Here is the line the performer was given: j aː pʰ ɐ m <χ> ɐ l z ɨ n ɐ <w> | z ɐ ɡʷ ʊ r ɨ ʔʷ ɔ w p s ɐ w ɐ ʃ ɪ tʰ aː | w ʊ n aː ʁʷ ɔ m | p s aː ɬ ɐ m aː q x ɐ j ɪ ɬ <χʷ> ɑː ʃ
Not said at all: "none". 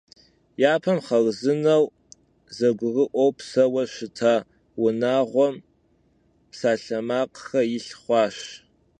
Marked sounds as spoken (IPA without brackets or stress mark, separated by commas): χ, w, χʷ